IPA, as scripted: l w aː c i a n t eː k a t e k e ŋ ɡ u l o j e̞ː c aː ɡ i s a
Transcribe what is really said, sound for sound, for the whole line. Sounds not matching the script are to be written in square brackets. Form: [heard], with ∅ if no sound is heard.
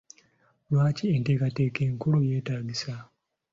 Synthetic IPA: l w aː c i [e] n t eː k a t e k e ŋ [k] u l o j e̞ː [t] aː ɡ i s a